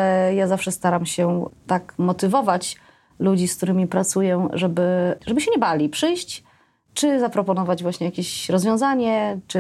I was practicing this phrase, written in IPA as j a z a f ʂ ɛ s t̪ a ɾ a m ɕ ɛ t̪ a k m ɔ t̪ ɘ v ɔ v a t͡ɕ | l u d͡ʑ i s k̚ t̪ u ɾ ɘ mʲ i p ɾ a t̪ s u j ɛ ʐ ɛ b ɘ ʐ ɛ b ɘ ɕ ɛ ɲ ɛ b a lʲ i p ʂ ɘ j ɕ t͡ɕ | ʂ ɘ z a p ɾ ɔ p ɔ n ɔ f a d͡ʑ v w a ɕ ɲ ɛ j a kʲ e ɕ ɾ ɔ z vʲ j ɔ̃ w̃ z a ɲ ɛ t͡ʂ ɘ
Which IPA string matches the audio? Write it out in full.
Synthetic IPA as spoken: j a z a f ʂ ɛ s t̪ a ɾ a m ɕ ɛ t̪ a k m ɔ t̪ ɘ v ɔ v a t͡ɕ | l u d͡ʑ i s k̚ t̪ u ɾ ɘ mʲ i p ɾ a t̪ s u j ɛ ʐ ɛ b ɘ ʐ ɛ b ɘ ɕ ɛ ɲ ɛ b a lʲ i p ʂ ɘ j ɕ t͡ɕ | t͡ʂ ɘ z a p ɾ ɔ p ɔ n ɔ v a d͡ʑ v w a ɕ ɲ ɛ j a kʲ e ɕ ɾ ɔ z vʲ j ɔ̃ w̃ z a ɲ ɛ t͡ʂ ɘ